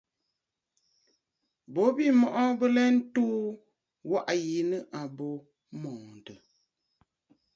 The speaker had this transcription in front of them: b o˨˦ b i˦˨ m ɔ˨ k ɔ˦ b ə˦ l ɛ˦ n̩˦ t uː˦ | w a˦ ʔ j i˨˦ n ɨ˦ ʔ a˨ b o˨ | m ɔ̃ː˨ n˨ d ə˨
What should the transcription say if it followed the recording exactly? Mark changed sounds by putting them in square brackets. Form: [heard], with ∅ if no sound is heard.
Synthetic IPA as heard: b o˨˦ b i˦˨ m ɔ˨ [ʔ] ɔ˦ b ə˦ l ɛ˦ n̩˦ t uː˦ | w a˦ ʔ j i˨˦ n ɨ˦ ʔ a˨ b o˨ | m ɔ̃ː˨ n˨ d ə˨